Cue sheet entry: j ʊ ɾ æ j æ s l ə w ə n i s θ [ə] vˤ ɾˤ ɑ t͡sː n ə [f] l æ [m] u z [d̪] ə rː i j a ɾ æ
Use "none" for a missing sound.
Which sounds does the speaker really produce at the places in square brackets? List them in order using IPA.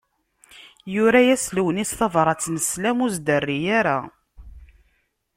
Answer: ɑ, s, m, d̪

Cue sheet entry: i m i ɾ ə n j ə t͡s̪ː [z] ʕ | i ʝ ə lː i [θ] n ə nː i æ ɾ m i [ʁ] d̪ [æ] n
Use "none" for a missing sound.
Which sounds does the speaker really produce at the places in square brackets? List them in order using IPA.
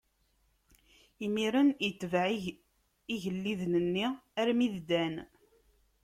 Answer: v, ð, ð, æ

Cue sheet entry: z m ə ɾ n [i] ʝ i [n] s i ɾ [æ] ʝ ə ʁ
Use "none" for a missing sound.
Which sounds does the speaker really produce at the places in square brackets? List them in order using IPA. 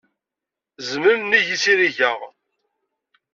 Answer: i, none, i

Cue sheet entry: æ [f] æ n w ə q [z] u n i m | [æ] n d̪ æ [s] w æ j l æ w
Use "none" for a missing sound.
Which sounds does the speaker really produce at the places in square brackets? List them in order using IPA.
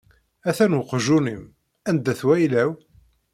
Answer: θ, ʒ, æ, θ

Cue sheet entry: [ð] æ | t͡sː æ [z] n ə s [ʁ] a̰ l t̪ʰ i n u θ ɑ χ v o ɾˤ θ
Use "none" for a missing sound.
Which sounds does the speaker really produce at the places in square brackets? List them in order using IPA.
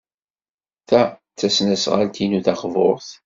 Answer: θ, s, ʁ

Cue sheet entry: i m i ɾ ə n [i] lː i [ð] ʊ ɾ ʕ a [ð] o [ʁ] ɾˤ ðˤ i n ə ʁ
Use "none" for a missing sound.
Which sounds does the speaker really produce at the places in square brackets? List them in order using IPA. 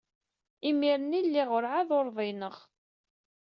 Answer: i, ʁ, ð, none

